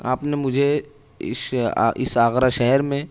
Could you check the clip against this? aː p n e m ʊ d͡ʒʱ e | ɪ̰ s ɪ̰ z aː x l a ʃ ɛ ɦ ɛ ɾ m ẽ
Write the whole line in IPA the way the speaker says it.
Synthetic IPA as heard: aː p n e m ʊ d͡ʒʱ e | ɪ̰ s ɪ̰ s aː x ɾ a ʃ ɛ ɦ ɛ ɾ m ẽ